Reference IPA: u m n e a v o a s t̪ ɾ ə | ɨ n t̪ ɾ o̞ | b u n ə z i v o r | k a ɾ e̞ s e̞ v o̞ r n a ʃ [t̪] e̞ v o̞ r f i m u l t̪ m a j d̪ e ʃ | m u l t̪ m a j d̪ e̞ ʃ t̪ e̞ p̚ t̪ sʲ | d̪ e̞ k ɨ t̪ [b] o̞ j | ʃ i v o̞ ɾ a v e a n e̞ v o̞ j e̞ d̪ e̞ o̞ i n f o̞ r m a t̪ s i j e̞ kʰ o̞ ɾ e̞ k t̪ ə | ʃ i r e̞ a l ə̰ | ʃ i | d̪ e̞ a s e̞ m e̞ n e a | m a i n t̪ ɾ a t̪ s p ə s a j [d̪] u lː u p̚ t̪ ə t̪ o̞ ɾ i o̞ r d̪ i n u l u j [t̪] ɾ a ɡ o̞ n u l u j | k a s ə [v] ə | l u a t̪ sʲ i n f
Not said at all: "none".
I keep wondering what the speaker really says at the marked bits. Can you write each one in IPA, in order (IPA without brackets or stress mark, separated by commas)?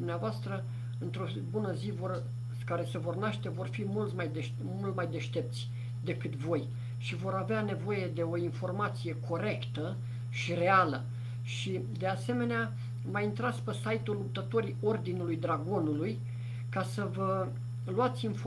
t̪, v, t̪, d̪, v